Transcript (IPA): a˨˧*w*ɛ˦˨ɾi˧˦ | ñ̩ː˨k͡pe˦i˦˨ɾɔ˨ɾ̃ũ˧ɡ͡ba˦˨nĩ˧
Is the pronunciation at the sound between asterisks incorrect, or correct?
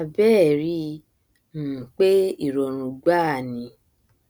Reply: incorrect